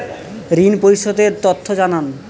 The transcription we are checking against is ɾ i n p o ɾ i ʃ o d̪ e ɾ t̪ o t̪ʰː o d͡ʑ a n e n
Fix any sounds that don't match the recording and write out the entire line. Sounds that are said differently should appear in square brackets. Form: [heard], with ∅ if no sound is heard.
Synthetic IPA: ɾ i n p o ɾ i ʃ o d̪ e ɾ t̪ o t̪ʰː o d͡ʑ a n [a] n